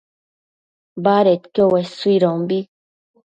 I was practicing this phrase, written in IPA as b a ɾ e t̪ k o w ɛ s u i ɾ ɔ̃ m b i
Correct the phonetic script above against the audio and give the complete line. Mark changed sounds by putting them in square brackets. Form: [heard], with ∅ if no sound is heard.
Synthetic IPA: b a ɾ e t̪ k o w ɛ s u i ɾ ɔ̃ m b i

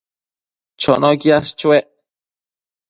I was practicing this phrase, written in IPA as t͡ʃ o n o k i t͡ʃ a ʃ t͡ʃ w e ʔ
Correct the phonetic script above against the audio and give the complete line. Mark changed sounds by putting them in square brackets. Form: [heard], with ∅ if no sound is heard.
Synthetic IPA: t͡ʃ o n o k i [∅] a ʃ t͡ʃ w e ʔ

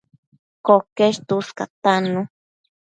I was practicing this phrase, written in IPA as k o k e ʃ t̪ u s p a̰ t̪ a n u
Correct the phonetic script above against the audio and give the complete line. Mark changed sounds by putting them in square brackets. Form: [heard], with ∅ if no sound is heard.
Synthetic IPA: k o k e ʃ t̪ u s [k] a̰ t̪ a n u

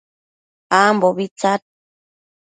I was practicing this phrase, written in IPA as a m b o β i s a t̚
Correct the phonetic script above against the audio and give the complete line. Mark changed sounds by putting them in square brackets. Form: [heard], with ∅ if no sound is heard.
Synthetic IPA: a m b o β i [t͡s] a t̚

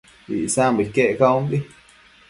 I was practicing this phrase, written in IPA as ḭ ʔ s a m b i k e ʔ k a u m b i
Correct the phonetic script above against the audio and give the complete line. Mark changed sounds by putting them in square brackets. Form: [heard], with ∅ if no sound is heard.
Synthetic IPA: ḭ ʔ s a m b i k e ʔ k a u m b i

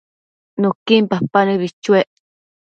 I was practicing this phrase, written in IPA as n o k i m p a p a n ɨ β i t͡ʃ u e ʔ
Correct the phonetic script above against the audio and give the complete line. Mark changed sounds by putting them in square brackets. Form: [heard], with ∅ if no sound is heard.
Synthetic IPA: n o k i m p a p a n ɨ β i t͡ʃ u e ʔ

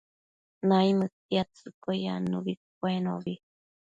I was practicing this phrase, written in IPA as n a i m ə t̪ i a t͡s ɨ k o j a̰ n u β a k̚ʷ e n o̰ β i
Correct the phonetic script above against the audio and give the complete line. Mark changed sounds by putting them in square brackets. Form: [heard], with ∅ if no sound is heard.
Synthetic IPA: n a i m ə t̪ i a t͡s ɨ k o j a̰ n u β [i] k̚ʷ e n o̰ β i

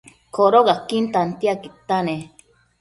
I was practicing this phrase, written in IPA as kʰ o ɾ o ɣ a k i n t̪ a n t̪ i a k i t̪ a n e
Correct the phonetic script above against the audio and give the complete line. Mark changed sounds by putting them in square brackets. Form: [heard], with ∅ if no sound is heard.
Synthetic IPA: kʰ o ɾ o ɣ a k i n t̪ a n t̪ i a k i t̪ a n e

